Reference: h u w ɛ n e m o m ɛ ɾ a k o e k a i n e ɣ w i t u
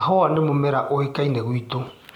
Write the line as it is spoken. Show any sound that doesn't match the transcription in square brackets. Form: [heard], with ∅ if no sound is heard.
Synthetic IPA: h [ɔ] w [a] n e m o m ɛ ɾ a [ʔ] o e k a i n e ɣ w i t [o]

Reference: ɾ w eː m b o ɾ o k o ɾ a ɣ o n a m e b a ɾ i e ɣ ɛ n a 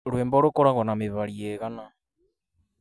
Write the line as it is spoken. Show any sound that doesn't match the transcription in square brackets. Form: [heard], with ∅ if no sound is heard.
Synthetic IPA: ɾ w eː m b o ɾ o k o ɾ a ɣ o n a m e [β] a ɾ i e ɣ [a] n a

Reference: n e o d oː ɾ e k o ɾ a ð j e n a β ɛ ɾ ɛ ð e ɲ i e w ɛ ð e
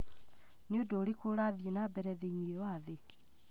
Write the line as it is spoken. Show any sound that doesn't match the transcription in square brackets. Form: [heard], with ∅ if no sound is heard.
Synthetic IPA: n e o d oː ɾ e k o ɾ a ð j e n a [b] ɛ ɾ ɛ ð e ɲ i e w [a] ð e

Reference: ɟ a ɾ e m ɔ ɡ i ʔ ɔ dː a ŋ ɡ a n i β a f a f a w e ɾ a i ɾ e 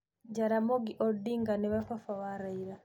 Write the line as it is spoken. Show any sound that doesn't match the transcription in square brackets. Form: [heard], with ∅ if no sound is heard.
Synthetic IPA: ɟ a ɾ [a] m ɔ ɡ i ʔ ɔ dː [i] ŋ ɡ a n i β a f a f a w [a] ɾ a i ɾ [a]

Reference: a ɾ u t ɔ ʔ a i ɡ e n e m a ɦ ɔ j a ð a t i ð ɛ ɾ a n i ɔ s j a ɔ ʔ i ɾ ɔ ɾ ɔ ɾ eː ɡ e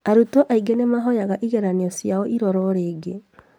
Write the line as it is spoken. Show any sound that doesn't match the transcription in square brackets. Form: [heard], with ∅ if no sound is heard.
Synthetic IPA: a ɾ u t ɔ ʔ a i ɡ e n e m a ɦ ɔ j a [ɣ] a [ʔ] i [ɣ] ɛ ɾ a n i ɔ s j a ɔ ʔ i ɾ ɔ ɾ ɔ ɾ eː ɡ e

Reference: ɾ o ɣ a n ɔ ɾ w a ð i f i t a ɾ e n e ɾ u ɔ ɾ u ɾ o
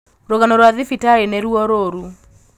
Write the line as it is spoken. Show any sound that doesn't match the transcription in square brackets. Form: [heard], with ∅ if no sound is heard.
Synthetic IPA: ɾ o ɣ a n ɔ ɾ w a ð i f i t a ɾ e n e ɾ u ɔ ɾ [o] ɾ [u]

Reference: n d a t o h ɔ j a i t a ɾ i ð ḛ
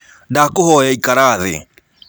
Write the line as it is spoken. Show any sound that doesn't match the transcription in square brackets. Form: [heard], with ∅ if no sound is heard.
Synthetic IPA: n d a [k] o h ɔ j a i [k] a ɾ [a] ð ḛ

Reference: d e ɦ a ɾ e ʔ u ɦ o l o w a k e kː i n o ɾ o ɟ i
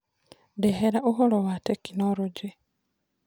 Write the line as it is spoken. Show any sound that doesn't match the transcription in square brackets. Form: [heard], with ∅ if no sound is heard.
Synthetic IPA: d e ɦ [e] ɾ [a] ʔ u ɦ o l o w a [t] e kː i n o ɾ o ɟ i

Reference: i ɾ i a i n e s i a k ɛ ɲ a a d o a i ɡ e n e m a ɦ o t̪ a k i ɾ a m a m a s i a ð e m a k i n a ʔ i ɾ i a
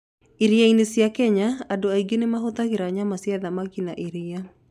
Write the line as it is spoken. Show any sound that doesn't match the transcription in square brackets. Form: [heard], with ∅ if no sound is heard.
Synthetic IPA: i ɾ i a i n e s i a k ɛ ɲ a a d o a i ɡ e n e m a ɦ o t̪ a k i ɾ a [ɲ] a m a s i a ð [a] m a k i n a ʔ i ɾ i a

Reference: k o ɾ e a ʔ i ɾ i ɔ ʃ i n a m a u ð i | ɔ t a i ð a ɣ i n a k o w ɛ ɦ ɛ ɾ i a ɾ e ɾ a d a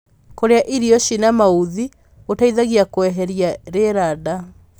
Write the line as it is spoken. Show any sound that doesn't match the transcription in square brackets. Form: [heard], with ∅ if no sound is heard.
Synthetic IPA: k o ɾ e a ʔ i ɾ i ɔ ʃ i n a m a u ð i | [o] t a i ð a ɣ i [∅] a k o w ɛ ɦ ɛ ɾ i a ɾ e ɾ a d a

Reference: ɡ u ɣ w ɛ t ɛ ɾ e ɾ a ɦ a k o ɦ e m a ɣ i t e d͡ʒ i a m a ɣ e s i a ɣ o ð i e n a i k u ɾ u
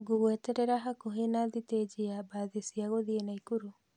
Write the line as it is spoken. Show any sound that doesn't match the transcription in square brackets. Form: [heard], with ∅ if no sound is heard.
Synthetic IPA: ɡ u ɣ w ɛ t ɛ ɾ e ɾ a ɦ a k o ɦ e [n] a [ð] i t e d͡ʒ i a [b] a [ð] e s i a ɣ o ð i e n a i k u ɾ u

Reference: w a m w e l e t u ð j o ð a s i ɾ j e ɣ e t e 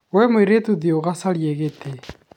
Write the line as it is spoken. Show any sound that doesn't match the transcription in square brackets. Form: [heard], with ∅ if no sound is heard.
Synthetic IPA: w [ɛ] m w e [ɾ] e t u ð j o [ɣ] a s [a] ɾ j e ɣ e t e

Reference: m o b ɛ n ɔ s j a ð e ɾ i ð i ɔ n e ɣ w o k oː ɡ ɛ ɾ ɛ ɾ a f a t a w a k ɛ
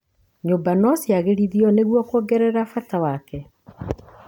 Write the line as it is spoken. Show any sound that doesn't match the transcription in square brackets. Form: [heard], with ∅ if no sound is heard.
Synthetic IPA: [ɲ] o b [a] n ɔ s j a [ɣ] e ɾ i ð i ɔ n e ɣ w [ɔ] k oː ɡ ɛ ɾ ɛ ɾ a f a t a w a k ɛ

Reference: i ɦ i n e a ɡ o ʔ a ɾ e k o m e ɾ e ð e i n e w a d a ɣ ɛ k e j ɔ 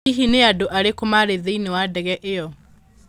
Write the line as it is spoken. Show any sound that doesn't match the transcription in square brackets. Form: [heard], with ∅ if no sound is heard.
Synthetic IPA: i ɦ i n e a [d] o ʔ a ɾ e k o m [a] ɾ e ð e i n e w a d [ɛ] ɣ ɛ [ʔ] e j ɔ

